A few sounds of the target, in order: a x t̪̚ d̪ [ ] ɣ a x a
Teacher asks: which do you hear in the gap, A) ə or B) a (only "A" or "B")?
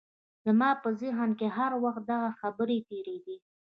B